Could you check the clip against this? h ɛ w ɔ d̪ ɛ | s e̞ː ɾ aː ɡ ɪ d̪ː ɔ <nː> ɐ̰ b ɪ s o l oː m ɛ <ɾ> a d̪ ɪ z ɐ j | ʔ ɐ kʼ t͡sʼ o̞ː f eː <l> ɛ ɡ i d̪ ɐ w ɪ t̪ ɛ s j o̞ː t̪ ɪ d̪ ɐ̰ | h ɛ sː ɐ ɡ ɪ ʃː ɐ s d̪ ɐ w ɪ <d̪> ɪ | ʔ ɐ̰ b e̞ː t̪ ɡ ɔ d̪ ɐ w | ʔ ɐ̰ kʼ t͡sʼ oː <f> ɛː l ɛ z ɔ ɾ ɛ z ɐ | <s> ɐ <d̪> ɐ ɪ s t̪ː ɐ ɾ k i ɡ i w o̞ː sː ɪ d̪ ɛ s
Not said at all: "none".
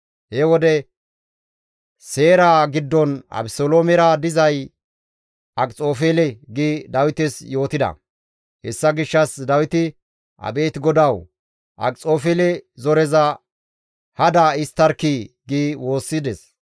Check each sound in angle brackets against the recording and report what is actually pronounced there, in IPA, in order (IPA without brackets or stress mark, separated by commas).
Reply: n, ɾ, l, t̪, f, h, d̪